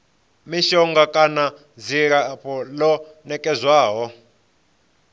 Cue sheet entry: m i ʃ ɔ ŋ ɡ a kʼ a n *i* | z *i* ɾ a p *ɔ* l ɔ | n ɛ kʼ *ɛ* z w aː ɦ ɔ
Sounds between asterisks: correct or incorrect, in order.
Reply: incorrect: a, correct, correct, correct

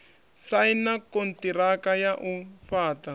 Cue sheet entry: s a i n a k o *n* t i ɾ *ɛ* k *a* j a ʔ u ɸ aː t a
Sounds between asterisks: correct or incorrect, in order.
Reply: correct, incorrect: a, correct

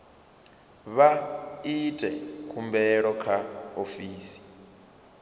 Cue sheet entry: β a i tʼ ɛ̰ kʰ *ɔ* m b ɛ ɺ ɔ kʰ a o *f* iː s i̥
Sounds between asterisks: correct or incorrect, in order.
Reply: incorrect: u, correct

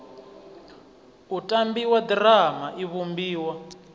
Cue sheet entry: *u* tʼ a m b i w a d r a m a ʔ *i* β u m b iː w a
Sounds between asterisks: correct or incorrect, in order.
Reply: correct, correct

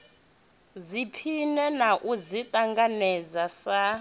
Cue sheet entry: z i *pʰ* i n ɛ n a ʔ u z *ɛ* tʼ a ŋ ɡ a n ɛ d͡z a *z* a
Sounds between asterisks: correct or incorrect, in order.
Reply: correct, incorrect: i, incorrect: s

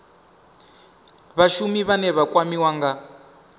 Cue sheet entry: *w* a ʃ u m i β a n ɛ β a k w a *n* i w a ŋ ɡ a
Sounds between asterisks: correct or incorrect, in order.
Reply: incorrect: β, incorrect: m

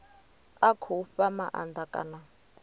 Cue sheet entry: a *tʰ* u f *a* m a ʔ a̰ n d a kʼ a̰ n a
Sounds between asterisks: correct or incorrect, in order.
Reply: incorrect: kʰ, correct

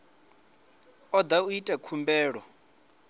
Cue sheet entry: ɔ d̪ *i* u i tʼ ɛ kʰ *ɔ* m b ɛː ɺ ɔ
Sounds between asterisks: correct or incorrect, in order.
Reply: incorrect: a, incorrect: u

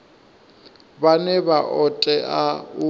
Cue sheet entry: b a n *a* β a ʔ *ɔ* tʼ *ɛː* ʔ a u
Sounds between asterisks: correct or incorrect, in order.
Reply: incorrect: ɛ, correct, incorrect: ɛ

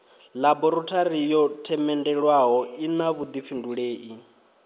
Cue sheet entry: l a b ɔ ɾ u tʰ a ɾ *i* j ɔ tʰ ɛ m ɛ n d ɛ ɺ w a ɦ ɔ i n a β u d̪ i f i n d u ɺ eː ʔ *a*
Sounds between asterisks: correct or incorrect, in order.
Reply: correct, incorrect: i

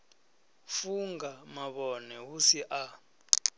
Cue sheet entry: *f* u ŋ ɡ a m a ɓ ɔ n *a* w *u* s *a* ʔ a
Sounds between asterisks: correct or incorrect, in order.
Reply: correct, incorrect: ɛ, correct, incorrect: i

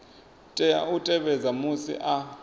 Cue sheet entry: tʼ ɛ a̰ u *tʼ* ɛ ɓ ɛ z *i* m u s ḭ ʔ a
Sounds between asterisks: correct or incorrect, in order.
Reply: correct, incorrect: a

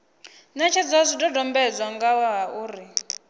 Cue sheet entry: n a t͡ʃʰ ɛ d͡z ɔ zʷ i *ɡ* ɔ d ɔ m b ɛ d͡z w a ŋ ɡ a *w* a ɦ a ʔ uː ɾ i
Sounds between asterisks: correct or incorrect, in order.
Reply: incorrect: d, correct

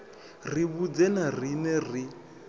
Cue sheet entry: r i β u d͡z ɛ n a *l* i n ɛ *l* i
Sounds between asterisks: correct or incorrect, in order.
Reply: incorrect: r, incorrect: r

